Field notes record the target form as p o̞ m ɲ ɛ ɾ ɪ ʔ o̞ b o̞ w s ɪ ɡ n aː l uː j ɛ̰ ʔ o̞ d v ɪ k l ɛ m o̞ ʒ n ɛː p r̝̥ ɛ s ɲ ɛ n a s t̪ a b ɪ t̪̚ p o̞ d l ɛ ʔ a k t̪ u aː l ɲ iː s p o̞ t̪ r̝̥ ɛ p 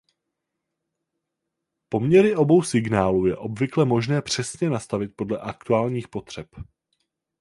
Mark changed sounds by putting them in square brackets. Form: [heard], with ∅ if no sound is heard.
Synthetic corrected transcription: p o̞ m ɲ ɛ ɾ ɪ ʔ o̞ b o̞ w s ɪ ɡ n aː l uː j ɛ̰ ʔ o̞ [b] v ɪ k l ɛ m o̞ ʒ n ɛː p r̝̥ ɛ s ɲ ɛ n a s t̪ a [v] ɪ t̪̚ p o̞ d l ɛ ʔ a k t̪ u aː l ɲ iː [x] p o̞ t̪ r̝̥ ɛ p